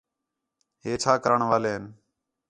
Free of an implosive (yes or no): yes